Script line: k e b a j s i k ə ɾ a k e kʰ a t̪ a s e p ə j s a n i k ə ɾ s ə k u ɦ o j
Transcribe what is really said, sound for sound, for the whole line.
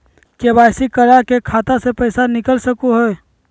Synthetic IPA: k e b a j s i k ə ɾ a k e kʰ a t̪ a s e p ə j s a n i k ə l s ə k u ɦ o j